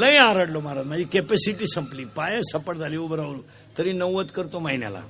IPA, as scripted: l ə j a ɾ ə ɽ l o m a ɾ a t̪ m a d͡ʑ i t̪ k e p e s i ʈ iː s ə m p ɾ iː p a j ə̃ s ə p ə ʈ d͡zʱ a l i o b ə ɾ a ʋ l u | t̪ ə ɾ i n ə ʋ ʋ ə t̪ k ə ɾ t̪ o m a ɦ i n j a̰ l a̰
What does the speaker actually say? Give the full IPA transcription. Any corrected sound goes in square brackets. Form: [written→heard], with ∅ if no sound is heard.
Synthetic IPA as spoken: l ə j a ɾ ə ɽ l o m a ɾ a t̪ m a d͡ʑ i [t̪→∅] k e p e s i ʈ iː s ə m p [ɾ→l] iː p a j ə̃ s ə p ə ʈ d͡zʱ a l i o b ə ɾ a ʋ [l→ɾ] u | t̪ ə ɾ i n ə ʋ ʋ ə t̪ k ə ɾ t̪ o m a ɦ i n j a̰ l a̰